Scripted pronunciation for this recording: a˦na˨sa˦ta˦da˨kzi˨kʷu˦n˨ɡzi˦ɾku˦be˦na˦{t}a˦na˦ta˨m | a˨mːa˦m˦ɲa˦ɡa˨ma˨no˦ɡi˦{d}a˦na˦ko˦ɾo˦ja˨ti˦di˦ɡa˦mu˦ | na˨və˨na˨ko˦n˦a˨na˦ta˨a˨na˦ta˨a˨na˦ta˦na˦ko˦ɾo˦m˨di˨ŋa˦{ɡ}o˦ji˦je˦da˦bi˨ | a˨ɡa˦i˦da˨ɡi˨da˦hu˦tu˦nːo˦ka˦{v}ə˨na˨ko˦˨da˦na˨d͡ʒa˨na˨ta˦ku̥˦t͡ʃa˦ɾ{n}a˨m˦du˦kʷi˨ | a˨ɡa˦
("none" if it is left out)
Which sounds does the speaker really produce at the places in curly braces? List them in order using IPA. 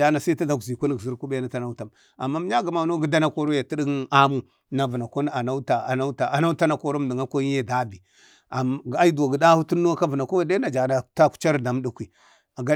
t, d, k, v, d

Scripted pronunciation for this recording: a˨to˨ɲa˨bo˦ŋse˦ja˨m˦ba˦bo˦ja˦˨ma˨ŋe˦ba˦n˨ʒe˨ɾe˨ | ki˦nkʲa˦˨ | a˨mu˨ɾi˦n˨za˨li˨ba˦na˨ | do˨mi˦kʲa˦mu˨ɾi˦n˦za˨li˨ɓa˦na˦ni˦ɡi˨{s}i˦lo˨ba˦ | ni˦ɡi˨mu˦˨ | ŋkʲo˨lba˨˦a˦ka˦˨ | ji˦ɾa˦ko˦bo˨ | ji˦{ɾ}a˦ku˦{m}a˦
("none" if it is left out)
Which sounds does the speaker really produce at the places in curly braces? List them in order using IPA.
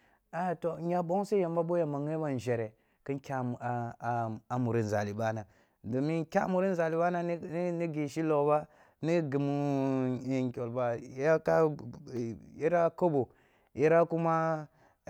ʃ, ɾ, m

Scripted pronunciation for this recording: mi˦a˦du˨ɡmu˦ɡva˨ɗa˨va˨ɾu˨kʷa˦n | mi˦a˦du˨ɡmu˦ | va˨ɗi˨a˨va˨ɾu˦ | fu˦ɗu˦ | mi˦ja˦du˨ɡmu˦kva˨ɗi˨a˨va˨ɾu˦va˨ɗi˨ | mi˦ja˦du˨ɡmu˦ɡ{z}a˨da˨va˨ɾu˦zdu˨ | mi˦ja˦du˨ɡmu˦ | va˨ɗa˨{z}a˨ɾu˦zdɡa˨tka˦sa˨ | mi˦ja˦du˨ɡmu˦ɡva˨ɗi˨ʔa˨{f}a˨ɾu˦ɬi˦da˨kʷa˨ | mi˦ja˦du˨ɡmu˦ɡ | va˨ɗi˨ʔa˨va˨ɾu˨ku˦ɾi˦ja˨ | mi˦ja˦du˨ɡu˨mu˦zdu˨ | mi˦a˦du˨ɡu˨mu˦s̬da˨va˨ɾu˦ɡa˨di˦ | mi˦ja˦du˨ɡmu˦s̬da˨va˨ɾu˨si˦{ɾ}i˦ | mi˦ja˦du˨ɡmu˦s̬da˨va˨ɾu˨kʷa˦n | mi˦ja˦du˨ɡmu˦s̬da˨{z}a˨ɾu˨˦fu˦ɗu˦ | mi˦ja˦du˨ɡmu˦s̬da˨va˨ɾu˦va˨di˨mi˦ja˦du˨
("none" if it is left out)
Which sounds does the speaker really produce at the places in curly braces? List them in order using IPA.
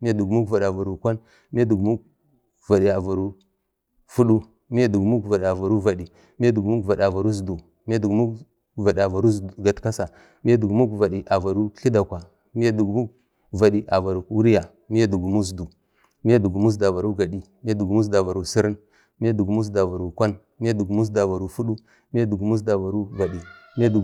v, v, v, ɾ, v

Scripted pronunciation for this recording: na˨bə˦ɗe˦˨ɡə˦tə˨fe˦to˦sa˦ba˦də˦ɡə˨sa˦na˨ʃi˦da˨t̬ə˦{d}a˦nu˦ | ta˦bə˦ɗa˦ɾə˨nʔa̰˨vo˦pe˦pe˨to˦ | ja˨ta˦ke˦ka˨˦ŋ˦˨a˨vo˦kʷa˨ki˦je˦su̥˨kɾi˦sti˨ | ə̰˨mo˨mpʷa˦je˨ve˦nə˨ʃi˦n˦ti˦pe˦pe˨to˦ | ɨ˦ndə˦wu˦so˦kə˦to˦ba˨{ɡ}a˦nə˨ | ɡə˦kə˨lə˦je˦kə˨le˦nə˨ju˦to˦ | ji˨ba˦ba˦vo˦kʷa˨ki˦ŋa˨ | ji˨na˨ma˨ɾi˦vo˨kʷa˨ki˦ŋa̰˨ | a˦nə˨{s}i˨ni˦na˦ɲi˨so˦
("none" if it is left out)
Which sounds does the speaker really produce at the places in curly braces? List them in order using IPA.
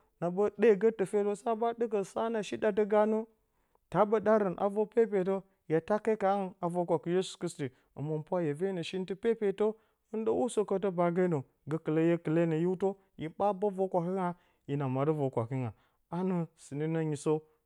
ɡ, ɡ, s

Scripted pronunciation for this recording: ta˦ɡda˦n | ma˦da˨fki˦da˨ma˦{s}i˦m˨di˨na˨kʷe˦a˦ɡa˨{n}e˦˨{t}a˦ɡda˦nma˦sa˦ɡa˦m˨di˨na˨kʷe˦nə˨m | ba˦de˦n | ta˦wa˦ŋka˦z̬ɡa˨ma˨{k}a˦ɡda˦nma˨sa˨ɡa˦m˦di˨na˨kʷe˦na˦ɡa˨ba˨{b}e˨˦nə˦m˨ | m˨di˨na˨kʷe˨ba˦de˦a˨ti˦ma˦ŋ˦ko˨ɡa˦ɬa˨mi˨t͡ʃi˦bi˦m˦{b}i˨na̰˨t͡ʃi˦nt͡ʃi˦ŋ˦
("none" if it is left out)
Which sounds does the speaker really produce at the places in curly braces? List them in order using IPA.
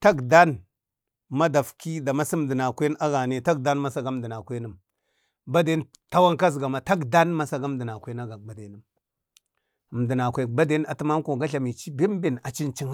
s, n, t, t, d, b

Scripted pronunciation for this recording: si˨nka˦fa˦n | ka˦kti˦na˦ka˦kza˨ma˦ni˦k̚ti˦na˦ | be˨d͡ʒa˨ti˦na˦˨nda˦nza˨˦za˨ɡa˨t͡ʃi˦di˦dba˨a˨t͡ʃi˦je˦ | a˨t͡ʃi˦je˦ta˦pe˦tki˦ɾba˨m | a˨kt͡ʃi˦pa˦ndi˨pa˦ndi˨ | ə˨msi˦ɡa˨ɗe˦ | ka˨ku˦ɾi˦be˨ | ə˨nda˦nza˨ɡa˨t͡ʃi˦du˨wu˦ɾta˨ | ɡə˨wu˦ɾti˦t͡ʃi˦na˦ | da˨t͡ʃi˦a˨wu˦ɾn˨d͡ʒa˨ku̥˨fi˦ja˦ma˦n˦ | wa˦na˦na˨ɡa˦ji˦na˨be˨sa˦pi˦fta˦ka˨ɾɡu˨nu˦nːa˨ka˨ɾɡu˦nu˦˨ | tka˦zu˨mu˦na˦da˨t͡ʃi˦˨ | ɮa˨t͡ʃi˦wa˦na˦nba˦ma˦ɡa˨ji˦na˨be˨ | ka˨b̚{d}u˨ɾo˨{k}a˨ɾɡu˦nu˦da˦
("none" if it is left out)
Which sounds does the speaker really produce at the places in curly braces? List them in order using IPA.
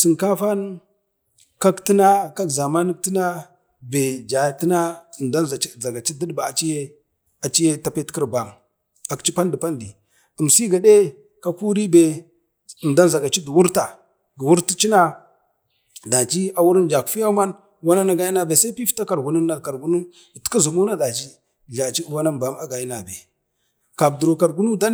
d, k

